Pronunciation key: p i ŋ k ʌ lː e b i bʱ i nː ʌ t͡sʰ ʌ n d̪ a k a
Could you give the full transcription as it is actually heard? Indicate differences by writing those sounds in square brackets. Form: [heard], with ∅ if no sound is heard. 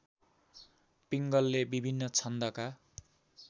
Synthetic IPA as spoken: p i ŋ [ɡ] ʌ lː e b i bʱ i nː ʌ t͡sʰ ʌ n d̪ [ʌ] k a